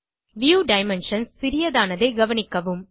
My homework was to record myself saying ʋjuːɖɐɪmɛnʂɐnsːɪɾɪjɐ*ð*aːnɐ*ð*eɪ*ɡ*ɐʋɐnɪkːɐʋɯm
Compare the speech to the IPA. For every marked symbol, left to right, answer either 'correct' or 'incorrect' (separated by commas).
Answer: correct, correct, correct